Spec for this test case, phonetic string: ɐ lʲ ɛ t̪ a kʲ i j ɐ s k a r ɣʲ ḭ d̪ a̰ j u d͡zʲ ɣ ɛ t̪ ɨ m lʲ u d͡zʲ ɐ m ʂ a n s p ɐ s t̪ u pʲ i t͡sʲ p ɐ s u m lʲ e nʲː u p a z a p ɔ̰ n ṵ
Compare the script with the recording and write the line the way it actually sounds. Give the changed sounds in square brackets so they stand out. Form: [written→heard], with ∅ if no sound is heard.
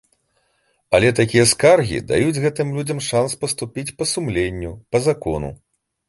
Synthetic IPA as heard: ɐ lʲ ɛ t̪ a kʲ i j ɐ s k a r ɣʲ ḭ d̪ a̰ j u d͡zʲ ɣ ɛ t̪ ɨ m lʲ u d͡zʲ ɐ m ʂ a n s p ɐ s t̪ u pʲ i t͡sʲ p ɐ s u m lʲ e nʲː u p [a→ɐ] z a [p→k] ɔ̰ n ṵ